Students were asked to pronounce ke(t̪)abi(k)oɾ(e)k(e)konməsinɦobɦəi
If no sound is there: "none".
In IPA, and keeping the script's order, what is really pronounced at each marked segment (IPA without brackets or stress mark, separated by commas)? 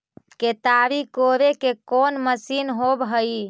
t̪, k, e, e